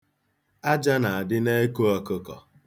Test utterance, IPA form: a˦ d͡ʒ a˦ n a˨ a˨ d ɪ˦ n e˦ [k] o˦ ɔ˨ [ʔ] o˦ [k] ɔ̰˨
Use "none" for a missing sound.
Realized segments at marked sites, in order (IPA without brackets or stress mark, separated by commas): k, k, k